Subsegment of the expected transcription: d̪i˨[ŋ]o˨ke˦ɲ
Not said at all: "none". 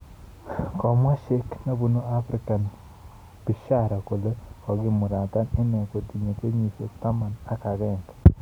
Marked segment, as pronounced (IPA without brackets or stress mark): ɲ